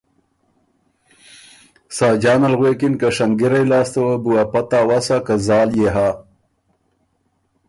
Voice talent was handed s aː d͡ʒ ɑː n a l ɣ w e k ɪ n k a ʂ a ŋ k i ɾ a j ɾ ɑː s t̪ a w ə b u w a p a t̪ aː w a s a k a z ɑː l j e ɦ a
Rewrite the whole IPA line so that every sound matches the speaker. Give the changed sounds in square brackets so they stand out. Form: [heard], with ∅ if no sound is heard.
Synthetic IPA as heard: s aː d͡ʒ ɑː n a l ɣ w e k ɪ n k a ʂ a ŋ [ɡ] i ɾ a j [l] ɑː s t̪ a w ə b u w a p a t̪ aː w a s a k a z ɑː l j e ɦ a